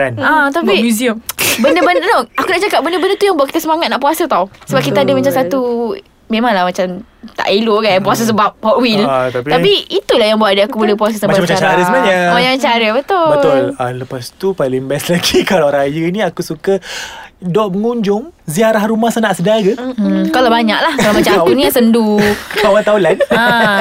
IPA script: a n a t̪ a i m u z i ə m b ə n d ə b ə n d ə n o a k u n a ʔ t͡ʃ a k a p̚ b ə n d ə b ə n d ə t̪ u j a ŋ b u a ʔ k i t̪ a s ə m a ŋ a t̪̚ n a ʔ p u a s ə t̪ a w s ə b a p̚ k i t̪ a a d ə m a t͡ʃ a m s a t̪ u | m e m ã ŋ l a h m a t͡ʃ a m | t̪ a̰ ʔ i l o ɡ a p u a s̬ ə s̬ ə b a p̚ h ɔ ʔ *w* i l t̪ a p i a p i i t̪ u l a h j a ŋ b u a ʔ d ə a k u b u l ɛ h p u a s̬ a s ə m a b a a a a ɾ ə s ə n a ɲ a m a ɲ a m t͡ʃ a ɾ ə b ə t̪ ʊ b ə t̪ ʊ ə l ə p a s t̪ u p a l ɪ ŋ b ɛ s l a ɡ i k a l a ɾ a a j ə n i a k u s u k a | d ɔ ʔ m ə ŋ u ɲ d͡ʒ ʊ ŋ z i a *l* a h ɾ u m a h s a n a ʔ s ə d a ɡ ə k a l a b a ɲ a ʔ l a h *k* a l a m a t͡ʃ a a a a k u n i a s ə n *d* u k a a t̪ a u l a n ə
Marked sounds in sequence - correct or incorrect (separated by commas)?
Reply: correct, incorrect, correct, correct